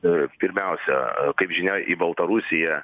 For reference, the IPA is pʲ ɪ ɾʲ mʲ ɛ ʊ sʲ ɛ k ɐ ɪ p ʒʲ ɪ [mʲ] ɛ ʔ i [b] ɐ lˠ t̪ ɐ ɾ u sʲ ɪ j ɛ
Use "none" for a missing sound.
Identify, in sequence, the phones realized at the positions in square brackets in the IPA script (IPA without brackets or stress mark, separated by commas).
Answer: nʲ, b